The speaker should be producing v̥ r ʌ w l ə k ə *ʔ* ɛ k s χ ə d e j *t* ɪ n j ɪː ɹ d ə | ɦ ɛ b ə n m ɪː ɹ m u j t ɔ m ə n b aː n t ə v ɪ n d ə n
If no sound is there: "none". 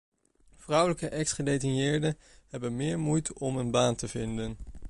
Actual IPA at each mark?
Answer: ʔ, t

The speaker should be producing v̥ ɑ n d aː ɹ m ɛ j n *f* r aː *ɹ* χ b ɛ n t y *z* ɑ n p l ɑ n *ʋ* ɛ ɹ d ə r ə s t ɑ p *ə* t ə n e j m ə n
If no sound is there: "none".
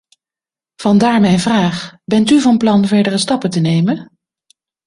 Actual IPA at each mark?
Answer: v, none, v, v, ə

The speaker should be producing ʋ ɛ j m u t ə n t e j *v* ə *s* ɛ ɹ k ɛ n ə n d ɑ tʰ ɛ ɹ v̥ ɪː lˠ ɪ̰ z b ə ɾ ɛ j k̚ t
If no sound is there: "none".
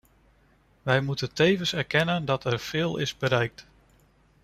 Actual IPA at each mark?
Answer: v, s

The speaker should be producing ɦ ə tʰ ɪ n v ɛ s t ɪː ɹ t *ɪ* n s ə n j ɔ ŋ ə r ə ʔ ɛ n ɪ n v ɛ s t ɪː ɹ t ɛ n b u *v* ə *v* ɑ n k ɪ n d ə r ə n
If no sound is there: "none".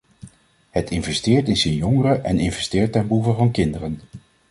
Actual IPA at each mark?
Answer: ɪ, v, v

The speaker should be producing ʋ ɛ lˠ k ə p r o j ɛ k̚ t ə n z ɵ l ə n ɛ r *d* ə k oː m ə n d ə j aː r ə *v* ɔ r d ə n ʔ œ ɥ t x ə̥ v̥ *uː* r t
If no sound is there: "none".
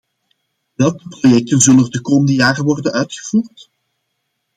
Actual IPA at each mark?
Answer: d, ʋ, uː

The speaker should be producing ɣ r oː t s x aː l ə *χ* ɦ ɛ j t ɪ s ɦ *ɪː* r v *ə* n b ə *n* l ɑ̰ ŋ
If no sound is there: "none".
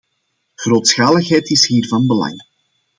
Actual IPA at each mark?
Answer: x, iː, ɑ, none

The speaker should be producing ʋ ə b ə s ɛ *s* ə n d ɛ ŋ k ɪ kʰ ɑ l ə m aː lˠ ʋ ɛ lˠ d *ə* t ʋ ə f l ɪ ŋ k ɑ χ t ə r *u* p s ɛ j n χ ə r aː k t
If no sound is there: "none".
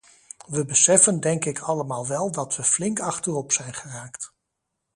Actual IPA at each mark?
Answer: f, ɑ, ɔ

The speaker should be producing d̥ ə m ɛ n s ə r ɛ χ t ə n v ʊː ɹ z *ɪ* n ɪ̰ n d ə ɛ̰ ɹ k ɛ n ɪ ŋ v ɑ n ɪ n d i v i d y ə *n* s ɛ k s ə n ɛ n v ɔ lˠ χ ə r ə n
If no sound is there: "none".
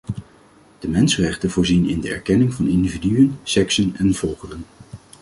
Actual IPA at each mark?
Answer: i, n

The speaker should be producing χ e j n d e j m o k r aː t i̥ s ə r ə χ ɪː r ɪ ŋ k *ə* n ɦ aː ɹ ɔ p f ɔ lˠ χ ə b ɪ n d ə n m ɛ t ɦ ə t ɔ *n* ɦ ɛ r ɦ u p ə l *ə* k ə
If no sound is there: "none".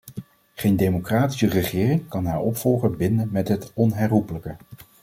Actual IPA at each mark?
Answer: ɑ, n, ə

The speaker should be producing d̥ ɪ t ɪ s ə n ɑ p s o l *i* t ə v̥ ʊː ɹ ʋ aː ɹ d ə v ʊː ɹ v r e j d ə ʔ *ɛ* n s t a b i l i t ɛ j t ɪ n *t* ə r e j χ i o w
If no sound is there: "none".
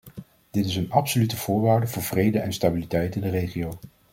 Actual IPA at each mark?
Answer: y, ɛ, d

